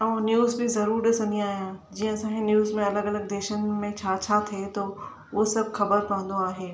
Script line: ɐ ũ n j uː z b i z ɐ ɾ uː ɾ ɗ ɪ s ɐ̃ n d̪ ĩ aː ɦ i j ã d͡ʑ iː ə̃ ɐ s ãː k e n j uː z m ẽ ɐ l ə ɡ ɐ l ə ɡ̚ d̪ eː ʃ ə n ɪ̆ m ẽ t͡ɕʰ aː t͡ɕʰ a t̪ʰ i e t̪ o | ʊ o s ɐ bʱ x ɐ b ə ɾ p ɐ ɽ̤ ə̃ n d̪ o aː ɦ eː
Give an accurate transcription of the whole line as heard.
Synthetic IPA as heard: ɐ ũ n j uː z b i z ɐ ɾ uː ɾ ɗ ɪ s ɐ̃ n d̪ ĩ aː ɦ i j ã d͡ʑ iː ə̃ ɐ s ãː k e n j uː z m ẽ ɐ l ə ɡ ɐ l ə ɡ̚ d̪ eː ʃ ə n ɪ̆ m ẽ t͡ɕʰ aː t͡ɕʰ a t̪ʰ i e t̪ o | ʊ o s ɐ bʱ x ɐ b ə ɾ p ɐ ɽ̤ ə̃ n d̪ o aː ɦ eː